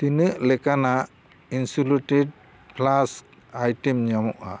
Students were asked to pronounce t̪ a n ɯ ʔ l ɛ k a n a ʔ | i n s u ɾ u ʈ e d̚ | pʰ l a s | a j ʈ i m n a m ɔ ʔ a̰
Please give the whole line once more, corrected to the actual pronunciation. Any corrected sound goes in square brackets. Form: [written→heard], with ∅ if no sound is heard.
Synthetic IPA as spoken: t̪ [a→i] n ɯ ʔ l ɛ k a n a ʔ | i n s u [ɾ→l] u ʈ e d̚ | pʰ l a s | a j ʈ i m [n→ɲ] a m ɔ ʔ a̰